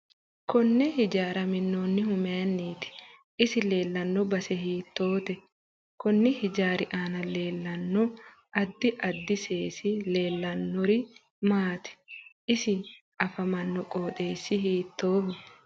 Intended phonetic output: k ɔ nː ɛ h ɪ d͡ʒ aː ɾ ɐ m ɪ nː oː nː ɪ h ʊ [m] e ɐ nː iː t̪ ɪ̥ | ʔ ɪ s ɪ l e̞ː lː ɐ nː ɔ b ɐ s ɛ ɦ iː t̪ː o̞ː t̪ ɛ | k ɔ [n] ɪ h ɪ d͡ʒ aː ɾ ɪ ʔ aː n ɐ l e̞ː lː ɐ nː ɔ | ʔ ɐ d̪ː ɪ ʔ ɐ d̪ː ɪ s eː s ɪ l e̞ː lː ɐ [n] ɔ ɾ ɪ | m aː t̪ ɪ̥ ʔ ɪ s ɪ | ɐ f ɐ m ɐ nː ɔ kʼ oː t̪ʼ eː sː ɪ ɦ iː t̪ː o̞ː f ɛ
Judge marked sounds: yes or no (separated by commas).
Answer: yes, no, no